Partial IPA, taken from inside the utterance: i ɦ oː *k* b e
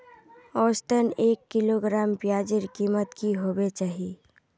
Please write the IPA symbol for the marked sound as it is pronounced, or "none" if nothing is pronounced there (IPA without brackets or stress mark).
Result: none